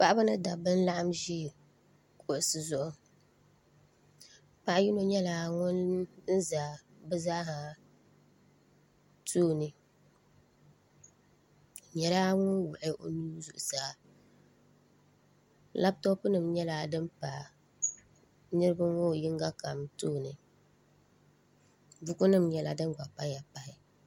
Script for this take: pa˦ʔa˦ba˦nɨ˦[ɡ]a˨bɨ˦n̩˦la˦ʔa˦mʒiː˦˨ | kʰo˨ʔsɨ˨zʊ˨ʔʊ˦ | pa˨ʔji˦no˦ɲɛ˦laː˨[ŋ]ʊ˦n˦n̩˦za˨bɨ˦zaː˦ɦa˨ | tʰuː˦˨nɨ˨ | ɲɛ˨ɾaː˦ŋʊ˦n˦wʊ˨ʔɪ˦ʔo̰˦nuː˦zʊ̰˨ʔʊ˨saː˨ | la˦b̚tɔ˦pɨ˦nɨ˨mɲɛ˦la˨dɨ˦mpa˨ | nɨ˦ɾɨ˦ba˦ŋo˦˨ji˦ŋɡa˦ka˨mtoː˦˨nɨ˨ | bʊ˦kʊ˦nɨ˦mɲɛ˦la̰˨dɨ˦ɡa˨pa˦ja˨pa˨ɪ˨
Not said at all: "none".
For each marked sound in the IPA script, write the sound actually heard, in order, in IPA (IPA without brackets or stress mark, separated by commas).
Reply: d, ŋ